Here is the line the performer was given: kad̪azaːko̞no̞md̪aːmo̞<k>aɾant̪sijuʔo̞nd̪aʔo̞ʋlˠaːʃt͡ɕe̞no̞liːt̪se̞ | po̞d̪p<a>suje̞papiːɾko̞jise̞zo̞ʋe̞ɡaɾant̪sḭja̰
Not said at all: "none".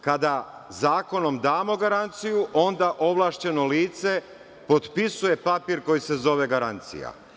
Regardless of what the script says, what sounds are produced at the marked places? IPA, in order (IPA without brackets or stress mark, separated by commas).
ɡ, i